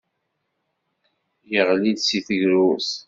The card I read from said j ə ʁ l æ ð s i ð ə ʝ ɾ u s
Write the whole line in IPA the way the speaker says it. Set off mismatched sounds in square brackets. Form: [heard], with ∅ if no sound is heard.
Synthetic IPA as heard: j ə ʁ l [i] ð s i [θ] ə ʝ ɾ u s